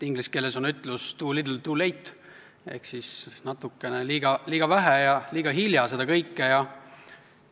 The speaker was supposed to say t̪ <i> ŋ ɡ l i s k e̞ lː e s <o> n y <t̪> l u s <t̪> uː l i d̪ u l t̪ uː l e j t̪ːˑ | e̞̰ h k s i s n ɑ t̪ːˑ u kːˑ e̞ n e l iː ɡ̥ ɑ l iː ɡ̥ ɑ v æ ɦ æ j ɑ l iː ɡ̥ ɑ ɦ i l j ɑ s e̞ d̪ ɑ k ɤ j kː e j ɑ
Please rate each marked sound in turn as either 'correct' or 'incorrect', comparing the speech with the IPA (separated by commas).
correct, correct, correct, correct